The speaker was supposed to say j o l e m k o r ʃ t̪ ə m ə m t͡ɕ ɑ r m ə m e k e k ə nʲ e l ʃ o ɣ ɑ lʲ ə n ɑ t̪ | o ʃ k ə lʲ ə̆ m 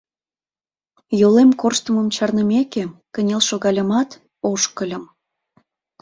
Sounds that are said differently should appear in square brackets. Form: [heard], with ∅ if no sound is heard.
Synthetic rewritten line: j o l e m k o r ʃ t̪ ə m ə m t͡ɕ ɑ r [n] ə m e k e k ə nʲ e l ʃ o ɣ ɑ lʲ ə [m] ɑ t̪ | o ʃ k ə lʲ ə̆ m